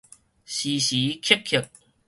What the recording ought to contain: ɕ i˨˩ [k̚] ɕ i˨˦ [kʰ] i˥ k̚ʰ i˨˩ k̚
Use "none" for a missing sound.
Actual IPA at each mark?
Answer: none, kʰ

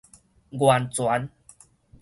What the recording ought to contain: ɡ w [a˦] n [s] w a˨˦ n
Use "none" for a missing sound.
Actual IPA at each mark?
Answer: a˨˩, t͡s

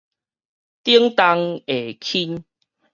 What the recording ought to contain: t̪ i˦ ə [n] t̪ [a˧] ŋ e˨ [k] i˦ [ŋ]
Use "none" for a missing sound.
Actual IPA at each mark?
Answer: ŋ, a˧, kʰ, n

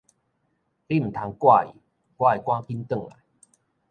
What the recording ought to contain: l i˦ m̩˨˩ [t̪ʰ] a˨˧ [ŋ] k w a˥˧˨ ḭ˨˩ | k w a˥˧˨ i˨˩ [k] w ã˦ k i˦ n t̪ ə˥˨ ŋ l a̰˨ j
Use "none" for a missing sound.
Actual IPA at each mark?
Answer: t̪ʰ, ŋ, k

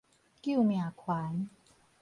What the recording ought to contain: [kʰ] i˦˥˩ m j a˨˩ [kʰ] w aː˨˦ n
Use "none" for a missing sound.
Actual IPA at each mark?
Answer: k, kʰ

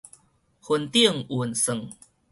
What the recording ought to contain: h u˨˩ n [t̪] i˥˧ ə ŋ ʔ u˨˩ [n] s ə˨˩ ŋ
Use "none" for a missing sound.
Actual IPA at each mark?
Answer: t̪, n

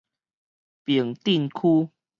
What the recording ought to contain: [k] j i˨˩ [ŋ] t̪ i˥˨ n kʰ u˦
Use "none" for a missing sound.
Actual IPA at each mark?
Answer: p, ŋ

